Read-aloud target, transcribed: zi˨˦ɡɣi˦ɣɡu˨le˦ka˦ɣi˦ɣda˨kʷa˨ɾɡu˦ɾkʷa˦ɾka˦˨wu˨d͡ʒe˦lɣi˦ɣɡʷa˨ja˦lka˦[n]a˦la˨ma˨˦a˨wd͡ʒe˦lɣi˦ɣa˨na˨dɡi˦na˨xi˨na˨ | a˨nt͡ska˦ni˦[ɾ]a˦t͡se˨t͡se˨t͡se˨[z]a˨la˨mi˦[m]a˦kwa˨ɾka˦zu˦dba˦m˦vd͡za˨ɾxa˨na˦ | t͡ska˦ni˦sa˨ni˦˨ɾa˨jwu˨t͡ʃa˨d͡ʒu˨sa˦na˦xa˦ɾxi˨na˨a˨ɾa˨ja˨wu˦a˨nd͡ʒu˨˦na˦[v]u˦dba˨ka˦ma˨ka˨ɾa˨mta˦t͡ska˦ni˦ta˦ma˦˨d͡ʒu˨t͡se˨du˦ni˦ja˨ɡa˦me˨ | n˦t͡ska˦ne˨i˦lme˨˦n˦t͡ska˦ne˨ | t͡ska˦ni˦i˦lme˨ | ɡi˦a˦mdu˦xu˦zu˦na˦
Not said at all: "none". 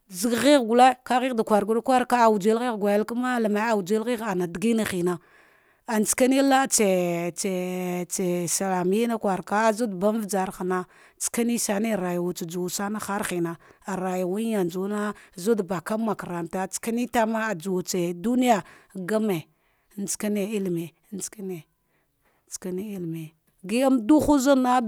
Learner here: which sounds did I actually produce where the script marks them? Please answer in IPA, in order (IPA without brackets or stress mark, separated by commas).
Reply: m, l, s, n, z